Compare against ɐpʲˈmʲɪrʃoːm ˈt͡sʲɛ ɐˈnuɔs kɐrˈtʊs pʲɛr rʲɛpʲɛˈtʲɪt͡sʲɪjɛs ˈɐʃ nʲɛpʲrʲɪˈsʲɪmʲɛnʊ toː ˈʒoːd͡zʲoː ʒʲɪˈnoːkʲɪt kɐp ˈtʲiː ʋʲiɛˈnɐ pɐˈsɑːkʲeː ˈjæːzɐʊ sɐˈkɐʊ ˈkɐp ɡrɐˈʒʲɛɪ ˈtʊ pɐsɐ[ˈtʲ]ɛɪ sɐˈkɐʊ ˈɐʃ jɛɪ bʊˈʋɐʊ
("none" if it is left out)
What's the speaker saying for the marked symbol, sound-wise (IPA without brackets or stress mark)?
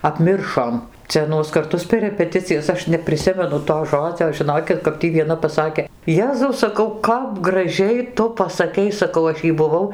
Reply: kʲ